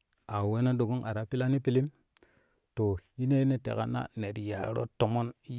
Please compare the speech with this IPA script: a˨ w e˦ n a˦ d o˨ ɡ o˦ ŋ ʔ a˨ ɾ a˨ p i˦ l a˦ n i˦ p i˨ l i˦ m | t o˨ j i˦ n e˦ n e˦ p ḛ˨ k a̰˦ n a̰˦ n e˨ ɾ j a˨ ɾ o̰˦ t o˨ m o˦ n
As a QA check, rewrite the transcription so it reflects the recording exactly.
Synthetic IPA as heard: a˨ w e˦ n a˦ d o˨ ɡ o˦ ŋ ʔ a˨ ɾ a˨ p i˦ l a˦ n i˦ p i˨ l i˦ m | t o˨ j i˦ n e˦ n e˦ t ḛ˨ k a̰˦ n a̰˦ n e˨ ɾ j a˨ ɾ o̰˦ t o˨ m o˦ n